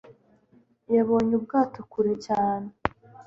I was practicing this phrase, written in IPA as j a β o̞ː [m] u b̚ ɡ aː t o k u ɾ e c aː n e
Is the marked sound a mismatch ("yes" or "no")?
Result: yes